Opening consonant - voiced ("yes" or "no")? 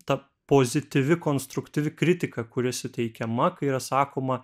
no